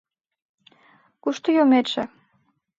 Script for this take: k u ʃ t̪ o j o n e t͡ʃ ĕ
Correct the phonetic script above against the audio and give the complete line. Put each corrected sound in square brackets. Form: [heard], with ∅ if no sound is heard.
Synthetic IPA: k u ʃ t̪ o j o [m] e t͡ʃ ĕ

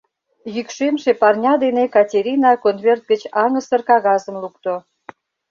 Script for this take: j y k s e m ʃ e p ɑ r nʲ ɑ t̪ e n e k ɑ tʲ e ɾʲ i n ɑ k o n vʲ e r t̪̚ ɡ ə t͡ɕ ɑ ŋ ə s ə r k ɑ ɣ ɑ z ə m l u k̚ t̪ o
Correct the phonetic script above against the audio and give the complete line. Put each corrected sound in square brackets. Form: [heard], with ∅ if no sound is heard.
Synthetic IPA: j y k [ʃ] e m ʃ e p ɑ r nʲ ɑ [d̪] e n e k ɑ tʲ e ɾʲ i n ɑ k o n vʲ e r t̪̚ ɡ ə t͡ɕ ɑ ŋ ə s ə r k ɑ ɣ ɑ z ə m l u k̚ t̪ o

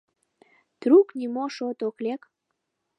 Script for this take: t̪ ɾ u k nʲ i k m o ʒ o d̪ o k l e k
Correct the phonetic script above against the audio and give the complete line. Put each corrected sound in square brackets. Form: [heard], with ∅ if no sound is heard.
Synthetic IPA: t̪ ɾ u k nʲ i [∅] m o [ʃ] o [t̪] o k l e k

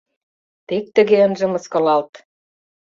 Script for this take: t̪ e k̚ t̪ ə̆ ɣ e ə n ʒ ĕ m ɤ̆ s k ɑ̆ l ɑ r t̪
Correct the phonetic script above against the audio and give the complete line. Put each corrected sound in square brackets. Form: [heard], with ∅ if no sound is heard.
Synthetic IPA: t̪ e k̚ t̪ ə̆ ɣ e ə n ʒ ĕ m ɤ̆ s k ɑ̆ l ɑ [l] t̪

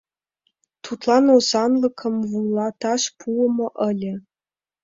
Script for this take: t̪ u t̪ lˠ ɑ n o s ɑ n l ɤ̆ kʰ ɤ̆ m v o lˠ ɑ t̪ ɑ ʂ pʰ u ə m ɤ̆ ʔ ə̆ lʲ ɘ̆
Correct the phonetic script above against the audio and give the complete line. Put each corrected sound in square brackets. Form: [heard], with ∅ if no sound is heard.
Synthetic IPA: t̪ u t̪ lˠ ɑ n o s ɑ n l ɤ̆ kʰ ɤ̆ m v [u] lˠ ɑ t̪ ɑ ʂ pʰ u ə m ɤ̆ ʔ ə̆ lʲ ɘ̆

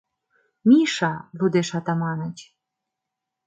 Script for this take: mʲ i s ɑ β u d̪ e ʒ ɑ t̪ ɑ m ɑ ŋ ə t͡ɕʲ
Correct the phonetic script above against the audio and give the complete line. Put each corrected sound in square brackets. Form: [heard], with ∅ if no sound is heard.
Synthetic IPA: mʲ i [ʃ] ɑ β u d̪ e [ʃ] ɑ t̪ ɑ m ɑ [n] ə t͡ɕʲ

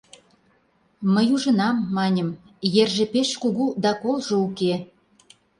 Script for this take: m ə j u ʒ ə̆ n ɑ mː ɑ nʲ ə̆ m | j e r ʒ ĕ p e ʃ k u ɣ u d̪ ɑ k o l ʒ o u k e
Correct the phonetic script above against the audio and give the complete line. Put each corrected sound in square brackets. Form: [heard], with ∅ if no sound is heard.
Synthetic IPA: m ə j u ʒ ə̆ n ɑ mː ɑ nʲ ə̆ m | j e r ʒ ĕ p e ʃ k u ɣ u d̪ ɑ k o l ʒ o u k e

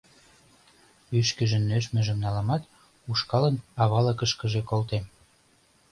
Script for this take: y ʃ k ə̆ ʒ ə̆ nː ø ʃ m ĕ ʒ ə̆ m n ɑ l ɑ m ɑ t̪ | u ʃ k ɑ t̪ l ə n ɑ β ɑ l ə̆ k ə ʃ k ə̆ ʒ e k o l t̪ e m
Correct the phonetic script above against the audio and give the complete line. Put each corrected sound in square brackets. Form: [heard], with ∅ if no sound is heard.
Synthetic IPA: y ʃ k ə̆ ʒ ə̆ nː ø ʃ m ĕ ʒ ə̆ m n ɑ l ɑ m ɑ t̪ | u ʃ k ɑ [∅] l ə n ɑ β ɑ l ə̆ k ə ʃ k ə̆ ʒ e k o l t̪ e m

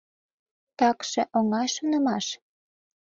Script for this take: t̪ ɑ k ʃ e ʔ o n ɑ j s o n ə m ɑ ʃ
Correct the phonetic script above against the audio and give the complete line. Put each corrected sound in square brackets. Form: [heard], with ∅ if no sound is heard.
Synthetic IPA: t̪ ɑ k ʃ e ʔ o [ŋ] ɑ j [ʃ] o n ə m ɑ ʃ

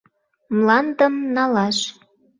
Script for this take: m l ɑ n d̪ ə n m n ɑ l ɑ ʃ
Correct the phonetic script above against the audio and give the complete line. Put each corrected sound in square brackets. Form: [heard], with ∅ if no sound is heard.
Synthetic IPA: m l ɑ n d̪ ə [∅] m n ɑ l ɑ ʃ

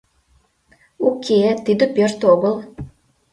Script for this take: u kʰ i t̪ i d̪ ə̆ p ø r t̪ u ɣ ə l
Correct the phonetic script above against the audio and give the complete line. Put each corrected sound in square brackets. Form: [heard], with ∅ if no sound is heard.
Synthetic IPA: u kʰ [e] t̪ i d̪ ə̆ p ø r t̪ [o] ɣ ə l

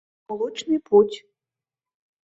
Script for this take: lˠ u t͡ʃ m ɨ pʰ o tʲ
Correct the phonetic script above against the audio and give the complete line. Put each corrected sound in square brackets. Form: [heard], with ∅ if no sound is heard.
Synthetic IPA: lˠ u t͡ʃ [n] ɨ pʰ [u] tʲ

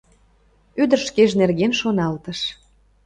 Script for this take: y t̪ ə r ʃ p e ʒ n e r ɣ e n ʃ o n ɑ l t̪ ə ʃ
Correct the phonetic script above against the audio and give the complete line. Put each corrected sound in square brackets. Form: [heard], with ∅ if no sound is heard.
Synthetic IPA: y [d̪] ə r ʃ [k] e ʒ n e r ɣ e n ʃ o n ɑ l t̪ ə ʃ

